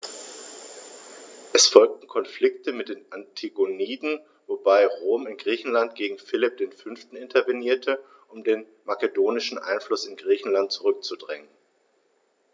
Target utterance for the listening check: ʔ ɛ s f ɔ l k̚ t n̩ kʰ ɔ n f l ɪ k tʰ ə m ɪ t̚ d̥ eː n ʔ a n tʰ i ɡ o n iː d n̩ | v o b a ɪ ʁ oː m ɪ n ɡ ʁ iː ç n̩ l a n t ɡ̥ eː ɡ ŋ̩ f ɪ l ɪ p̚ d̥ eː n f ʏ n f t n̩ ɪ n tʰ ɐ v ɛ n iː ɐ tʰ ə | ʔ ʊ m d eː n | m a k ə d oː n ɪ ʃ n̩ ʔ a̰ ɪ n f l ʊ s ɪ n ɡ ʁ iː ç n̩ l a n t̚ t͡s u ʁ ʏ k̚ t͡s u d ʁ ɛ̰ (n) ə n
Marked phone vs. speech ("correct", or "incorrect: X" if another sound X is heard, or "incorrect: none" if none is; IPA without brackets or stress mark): incorrect: ŋ